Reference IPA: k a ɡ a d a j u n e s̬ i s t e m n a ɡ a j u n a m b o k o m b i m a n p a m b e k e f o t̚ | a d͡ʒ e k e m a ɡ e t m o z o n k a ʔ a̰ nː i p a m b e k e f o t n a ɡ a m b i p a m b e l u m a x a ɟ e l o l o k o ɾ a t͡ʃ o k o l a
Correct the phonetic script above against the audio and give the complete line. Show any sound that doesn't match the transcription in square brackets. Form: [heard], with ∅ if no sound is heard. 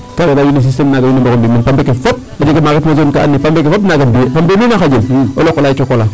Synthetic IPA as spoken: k a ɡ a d a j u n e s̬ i s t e m n a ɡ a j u n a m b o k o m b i m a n p a m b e k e f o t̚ | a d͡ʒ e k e m a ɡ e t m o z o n k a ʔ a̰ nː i p a m b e k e f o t n a ɡ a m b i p a m b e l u [n] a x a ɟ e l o l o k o [l] a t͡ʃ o k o l a